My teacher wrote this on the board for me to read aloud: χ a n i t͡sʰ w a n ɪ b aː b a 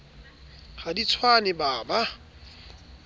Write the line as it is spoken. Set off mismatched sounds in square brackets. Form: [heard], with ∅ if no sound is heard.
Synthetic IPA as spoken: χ a [d] i t͡sʰ w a n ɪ b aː b a